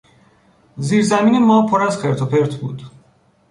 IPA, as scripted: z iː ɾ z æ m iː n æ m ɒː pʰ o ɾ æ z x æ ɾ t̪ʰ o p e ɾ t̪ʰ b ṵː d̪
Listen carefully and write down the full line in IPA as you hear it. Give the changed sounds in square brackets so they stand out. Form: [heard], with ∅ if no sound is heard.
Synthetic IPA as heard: z iː ɾ z æ m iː n [e] m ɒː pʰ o ɾ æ z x [e] ɾ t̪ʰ o p e ɾ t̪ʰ b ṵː d̪